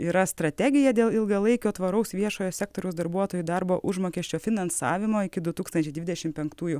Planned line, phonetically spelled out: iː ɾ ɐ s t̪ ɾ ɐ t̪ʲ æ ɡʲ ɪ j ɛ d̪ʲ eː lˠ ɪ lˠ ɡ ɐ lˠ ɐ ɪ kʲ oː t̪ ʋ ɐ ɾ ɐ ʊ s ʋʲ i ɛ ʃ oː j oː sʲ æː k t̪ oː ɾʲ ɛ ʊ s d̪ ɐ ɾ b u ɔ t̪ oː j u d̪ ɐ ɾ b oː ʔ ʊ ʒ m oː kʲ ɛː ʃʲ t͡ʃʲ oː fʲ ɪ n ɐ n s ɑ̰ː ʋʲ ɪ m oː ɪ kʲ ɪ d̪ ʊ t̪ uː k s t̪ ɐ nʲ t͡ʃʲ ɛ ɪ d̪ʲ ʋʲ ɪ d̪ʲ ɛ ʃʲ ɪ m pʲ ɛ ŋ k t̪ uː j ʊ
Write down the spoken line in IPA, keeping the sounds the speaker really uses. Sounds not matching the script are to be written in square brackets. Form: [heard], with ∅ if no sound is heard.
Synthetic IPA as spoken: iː ɾ ɐ s t̪ ɾ ɐ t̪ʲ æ ɡʲ ɪ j ɛ d̪ʲ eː lˠ ɪ lˠ ɡ ɐ lˠ ɐ ɪ kʲ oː t̪ ʋ ɐ ɾ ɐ ʊ s ʋʲ i ɛ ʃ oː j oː sʲ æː k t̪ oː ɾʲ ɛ ʊ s d̪ ɐ ɾ b u ɔ t̪ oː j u d̪ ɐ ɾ b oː ʔ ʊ ʒ m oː kʲ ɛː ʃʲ t͡ʃʲ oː fʲ ɪ n ɐ n s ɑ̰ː ʋʲ ɪ m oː ɪ kʲ ɪ d̪ ʊ t̪ uː k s t̪ ɐ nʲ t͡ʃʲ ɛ ɪ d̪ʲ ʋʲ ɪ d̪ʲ ɛ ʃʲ ɪ m pʲ ɛ ŋ k t̪ uː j ʊ

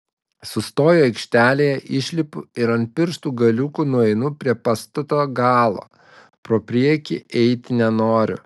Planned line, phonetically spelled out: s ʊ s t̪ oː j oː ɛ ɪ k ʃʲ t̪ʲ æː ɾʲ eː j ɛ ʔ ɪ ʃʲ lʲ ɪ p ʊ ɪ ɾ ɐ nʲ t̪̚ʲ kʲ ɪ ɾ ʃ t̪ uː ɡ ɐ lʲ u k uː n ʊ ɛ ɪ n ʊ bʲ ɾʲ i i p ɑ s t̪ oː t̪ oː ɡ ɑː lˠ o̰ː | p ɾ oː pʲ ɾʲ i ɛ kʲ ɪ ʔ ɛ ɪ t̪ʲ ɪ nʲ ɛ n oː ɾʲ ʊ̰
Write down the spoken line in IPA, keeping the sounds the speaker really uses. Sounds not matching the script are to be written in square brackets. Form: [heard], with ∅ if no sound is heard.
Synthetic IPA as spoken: s ʊ s t̪ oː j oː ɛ ɪ k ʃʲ t̪ʲ æː [lʲ] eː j ɛ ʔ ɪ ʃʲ lʲ ɪ p ʊ ɪ ɾ ɐ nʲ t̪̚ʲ [pʲ] ɪ ɾ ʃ t̪ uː ɡ ɐ lʲ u k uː n ʊ ɛ ɪ n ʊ [pʲ] ɾʲ i [ɛ] p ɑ s t̪ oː t̪ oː ɡ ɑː lˠ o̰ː | p ɾ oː pʲ ɾʲ i ɛ kʲ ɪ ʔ ɛ ɪ t̪ʲ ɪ nʲ ɛ n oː ɾʲ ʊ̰

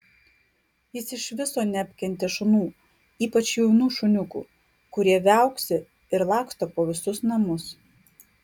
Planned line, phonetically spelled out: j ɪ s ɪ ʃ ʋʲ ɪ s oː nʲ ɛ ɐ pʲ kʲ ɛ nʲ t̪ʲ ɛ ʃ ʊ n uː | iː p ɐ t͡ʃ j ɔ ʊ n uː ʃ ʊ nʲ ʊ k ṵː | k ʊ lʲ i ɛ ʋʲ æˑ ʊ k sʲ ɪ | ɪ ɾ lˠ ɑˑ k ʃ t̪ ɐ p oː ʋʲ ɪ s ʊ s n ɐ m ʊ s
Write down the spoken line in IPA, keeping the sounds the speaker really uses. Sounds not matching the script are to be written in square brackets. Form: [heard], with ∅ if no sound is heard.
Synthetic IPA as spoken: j ɪ s ɪ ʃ ʋʲ ɪ s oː nʲ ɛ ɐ pʲ kʲ ɛ nʲ t̪ʲ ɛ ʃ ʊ n uː | iː p ɐ t͡ʃ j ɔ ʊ n uː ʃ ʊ nʲ ʊ k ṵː | k ʊ [ɾʲ] i ɛ ʋʲ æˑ ʊ k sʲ ɪ | ɪ ɾ lˠ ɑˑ k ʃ t̪ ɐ p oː ʋʲ ɪ s ʊ s n ɐ m ʊ s

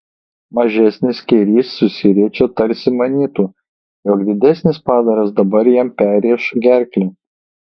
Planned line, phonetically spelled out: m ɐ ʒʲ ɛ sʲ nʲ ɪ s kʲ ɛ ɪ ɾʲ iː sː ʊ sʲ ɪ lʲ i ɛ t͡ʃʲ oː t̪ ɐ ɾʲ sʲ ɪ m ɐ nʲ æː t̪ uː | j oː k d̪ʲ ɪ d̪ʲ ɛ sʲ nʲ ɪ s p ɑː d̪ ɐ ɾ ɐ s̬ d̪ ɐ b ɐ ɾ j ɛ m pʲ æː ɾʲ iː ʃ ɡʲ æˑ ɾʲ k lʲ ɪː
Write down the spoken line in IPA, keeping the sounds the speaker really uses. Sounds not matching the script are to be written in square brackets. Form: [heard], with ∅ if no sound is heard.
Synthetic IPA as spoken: m ɐ ʒʲ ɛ sʲ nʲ ɪ s kʲ ɛ ɪ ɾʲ iː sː ʊ sʲ ɪ [ɾʲ] i ɛ t͡ʃʲ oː t̪ ɐ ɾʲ sʲ ɪ m ɐ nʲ [iː] t̪ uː | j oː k d̪ʲ ɪ d̪ʲ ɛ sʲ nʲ ɪ s p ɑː d̪ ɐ ɾ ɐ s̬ d̪ ɐ b ɐ ɾ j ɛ m pʲ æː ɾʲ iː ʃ ɡʲ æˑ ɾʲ k lʲ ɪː

